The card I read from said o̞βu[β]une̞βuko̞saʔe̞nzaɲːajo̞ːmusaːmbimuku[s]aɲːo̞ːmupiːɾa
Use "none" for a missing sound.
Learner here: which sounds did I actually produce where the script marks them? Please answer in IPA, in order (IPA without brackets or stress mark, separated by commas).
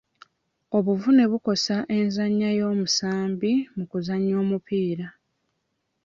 v, z